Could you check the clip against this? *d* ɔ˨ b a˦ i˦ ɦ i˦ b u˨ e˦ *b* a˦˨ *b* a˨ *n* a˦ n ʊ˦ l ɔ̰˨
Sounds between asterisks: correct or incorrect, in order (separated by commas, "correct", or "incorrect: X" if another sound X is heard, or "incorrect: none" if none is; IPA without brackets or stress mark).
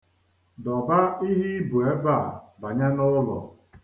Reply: correct, correct, correct, incorrect: ɲ